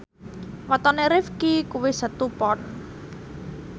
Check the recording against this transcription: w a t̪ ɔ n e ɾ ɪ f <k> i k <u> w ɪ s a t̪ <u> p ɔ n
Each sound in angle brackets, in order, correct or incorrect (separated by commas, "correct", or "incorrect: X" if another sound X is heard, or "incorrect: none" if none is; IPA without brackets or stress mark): correct, correct, correct